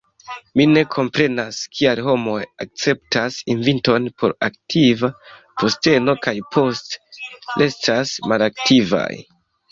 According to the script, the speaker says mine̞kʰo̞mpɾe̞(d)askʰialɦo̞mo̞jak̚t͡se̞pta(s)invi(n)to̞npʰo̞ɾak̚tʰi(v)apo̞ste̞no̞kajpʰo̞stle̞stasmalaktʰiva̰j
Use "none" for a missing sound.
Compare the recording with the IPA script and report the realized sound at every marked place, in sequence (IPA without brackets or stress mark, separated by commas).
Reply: n, s, n, v